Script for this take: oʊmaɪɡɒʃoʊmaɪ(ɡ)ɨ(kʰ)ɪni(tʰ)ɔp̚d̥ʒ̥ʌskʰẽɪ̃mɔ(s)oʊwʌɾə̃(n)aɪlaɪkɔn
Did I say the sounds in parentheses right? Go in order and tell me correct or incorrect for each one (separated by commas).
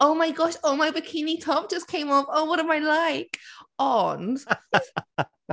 incorrect, correct, correct, incorrect, incorrect